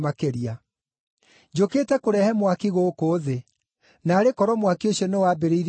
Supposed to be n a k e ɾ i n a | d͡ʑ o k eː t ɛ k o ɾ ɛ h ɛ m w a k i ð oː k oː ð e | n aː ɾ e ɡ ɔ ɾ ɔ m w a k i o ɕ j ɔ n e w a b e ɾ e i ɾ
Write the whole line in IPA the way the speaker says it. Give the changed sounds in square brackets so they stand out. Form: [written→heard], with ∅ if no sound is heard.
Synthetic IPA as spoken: [n→m] a k e ɾ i [n→∅] a | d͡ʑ o k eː t ɛ k o ɾ ɛ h ɛ m w a k i [ð→ɣ] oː k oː ð e | n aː ɾ e [ɡ→k] ɔ ɾ ɔ m w a k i o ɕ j ɔ n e w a b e ɾ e i ɾ